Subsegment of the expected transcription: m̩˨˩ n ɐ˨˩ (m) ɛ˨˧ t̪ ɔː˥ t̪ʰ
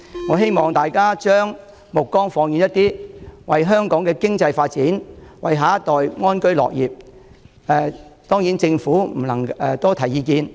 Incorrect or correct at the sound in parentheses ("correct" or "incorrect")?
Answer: incorrect